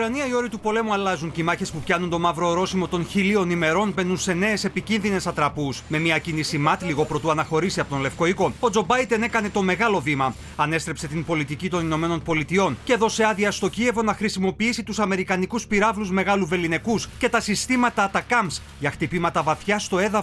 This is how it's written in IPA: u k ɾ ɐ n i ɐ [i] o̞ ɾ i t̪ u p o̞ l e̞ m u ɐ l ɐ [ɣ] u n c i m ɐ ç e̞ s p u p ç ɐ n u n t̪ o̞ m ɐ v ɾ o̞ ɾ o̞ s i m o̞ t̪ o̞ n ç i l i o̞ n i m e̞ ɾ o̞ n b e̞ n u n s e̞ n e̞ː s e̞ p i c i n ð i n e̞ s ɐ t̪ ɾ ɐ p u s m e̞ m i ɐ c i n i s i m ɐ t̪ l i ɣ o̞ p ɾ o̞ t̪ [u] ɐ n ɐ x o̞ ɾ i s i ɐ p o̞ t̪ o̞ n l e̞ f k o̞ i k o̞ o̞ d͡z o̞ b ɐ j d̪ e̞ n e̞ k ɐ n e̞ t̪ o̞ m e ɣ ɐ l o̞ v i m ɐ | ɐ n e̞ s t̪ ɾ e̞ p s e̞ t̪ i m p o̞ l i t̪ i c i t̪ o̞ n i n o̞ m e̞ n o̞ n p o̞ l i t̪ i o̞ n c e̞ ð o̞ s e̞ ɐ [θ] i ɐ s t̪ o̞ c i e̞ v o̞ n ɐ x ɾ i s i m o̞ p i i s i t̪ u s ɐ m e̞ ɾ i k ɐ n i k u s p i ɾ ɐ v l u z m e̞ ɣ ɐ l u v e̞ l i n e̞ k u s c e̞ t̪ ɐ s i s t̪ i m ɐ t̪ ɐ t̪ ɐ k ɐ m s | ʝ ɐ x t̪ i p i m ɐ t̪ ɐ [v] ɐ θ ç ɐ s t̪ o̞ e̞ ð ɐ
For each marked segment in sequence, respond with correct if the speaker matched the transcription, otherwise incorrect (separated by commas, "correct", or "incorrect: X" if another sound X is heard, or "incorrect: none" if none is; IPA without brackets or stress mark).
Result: correct, incorrect: z, correct, incorrect: ð, correct